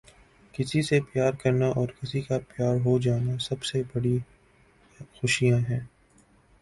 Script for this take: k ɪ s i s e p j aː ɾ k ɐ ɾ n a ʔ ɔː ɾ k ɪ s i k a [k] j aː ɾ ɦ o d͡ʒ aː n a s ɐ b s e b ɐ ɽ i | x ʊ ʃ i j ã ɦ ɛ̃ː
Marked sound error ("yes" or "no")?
yes